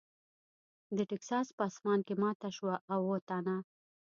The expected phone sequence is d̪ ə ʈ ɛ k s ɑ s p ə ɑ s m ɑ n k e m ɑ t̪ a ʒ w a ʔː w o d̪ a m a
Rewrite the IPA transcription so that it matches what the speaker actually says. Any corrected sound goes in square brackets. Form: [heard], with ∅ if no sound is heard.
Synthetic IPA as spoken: d̪ ə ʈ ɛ k s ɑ s p ə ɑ s m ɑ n k e m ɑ t̪ a [ʃ] w a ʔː w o [t̪] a [n] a